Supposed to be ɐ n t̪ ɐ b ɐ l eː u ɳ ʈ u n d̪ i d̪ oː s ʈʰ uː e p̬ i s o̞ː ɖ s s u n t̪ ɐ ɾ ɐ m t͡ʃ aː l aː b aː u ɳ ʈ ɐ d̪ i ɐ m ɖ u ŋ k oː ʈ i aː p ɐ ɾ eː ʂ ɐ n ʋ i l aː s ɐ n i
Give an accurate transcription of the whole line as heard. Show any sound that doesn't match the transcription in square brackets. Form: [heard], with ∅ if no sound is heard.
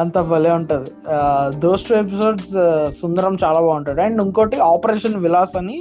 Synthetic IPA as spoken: ɐ n t̪ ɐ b ɐ l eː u ɳ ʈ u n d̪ i d̪ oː s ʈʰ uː e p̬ i s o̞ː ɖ s s u n [d̪] ɐ ɾ ɐ m t͡ʃ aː l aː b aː u ɳ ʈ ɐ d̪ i ɐ [ɳ] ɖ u ŋ k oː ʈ i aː p ɐ ɾ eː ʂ ɐ n ʋ i l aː s ɐ n i